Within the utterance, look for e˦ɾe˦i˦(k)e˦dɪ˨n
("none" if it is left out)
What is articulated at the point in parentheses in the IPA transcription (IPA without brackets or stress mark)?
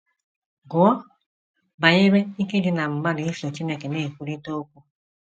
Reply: k